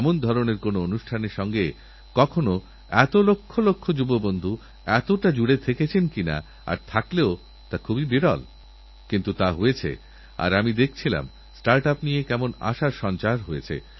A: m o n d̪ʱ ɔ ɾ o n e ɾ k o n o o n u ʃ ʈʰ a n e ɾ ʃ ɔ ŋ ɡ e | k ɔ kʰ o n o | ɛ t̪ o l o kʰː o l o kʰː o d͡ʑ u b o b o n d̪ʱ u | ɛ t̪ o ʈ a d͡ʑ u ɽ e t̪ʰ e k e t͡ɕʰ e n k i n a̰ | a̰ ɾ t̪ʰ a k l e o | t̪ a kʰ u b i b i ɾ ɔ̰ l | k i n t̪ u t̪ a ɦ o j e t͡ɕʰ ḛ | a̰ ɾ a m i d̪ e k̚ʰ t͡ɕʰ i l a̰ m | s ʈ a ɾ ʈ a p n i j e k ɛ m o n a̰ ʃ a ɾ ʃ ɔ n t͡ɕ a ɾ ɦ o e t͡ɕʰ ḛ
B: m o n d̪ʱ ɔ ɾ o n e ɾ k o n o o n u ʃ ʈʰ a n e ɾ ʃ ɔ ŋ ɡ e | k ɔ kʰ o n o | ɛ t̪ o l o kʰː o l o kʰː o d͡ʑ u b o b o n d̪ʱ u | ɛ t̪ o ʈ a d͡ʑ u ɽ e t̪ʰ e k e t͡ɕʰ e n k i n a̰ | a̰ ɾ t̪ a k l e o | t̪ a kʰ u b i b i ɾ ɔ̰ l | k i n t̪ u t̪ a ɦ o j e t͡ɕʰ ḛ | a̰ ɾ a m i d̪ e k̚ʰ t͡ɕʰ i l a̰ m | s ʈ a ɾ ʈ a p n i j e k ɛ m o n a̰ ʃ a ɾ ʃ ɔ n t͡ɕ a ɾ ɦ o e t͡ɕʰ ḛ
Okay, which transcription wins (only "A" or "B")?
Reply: A